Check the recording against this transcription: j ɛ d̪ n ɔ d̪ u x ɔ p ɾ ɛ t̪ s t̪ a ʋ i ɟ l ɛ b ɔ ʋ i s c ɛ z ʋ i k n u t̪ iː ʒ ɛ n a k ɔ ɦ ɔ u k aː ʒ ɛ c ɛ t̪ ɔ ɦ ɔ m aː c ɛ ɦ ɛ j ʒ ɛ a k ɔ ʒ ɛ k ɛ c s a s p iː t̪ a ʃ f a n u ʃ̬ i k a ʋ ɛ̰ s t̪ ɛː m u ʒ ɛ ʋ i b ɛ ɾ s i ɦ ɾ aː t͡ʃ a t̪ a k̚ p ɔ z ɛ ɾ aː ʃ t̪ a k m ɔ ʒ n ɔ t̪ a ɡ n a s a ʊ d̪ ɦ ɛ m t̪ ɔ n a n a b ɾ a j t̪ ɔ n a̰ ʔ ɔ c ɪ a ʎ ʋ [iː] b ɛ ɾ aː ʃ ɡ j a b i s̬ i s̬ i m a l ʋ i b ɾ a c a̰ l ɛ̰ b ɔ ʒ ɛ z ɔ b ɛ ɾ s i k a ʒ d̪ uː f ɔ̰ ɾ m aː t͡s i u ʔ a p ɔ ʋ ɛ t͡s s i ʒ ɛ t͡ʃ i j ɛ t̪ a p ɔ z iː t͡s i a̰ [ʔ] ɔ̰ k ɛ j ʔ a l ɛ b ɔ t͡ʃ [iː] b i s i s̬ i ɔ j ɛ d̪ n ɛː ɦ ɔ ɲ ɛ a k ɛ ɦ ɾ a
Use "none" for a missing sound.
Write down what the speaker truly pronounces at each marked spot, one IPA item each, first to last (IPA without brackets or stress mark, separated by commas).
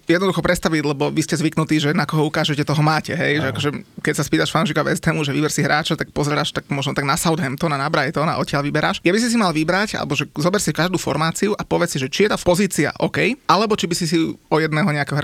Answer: i, ʔ, i